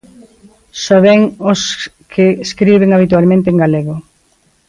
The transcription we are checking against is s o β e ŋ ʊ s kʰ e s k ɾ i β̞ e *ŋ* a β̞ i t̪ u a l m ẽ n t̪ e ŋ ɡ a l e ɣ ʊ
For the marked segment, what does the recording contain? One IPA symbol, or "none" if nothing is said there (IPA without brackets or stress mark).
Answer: ŋ